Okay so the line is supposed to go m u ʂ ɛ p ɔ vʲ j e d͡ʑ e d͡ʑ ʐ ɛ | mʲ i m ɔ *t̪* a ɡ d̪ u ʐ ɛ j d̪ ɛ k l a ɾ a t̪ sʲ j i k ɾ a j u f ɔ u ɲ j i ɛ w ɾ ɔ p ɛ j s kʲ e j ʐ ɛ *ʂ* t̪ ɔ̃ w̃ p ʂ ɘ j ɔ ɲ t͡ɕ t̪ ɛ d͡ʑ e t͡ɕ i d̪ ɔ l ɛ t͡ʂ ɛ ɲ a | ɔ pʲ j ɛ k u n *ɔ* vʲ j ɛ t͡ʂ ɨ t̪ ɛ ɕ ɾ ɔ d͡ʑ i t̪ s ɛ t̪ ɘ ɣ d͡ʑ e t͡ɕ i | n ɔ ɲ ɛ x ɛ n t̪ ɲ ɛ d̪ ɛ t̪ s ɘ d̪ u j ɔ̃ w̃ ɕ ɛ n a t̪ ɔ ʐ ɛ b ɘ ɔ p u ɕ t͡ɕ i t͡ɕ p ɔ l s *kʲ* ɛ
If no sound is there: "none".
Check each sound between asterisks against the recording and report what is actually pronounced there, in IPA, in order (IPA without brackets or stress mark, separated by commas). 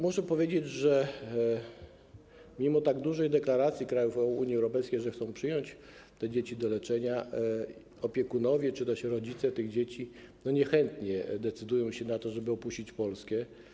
t̪, x, ɔ, kʲ